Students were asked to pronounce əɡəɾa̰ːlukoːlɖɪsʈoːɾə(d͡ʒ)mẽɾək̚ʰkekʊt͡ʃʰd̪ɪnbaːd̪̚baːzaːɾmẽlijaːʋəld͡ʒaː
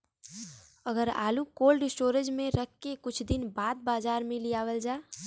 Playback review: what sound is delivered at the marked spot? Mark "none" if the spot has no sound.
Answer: d͡ʒ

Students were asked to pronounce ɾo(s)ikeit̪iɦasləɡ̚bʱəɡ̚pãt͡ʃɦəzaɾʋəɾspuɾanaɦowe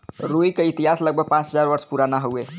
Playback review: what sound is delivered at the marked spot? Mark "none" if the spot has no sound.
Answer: none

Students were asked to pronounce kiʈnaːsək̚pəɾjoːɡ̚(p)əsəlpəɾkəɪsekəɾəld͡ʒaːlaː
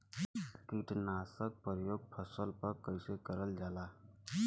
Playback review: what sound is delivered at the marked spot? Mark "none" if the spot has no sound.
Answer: pʰ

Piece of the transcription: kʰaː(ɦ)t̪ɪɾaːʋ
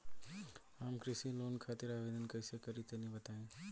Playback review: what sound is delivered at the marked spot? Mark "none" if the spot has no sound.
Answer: none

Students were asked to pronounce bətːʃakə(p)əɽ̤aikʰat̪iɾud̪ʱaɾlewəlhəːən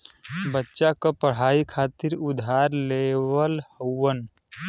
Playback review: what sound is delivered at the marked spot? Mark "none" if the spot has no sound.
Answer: p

